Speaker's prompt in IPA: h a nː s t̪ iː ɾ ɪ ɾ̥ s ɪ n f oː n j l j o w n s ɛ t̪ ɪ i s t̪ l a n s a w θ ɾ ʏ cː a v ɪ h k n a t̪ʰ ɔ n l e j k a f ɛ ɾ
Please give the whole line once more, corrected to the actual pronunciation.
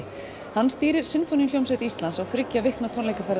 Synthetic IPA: h a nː s t̪ iː ɾ ɪ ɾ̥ s ɪ n f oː n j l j o w m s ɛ t̪ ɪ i s t̪ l a n s a w θ ɾ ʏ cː a v ɪ h k n a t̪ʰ ɔ n l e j k a f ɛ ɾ